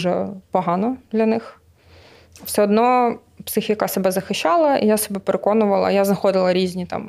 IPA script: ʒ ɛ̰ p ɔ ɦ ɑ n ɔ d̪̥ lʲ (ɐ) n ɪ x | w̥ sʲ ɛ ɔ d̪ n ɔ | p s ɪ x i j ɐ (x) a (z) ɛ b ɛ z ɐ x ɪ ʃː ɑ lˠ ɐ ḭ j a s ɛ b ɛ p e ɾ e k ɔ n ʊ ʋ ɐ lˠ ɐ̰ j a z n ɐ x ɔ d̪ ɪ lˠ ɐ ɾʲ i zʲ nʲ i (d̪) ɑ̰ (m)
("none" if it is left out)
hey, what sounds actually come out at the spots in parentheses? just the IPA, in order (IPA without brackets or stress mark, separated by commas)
ɐ, k, s, t̪, m